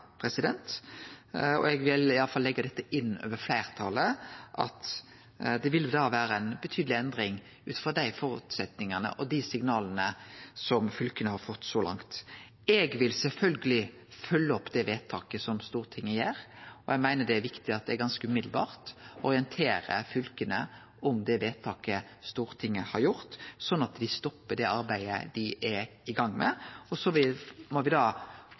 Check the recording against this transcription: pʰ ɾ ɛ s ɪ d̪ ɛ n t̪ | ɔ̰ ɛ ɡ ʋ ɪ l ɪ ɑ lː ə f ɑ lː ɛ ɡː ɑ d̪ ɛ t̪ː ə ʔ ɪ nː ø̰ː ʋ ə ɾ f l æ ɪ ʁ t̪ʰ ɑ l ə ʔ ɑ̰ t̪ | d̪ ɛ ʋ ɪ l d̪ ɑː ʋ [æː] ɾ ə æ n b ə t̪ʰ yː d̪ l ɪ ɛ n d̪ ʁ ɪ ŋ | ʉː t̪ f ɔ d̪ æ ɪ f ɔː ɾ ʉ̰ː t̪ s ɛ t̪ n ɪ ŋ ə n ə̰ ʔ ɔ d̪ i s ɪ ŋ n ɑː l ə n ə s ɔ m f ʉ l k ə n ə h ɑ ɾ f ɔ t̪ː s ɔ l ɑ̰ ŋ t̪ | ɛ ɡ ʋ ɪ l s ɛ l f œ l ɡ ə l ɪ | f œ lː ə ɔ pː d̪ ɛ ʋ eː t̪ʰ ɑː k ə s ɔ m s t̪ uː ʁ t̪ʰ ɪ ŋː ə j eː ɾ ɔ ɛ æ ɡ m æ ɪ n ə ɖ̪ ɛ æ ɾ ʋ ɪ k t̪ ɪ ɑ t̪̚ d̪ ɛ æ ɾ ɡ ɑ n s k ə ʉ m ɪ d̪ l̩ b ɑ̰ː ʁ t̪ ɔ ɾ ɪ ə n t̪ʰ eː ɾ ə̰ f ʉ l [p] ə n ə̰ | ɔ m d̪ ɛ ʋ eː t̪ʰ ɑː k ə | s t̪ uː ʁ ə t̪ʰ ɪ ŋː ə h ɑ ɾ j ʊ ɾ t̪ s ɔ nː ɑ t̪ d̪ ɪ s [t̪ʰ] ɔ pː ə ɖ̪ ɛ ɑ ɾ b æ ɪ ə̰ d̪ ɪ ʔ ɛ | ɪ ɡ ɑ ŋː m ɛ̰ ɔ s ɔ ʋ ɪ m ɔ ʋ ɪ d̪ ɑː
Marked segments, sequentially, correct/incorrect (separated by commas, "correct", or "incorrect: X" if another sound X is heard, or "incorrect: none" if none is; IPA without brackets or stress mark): correct, incorrect: k, incorrect: t̪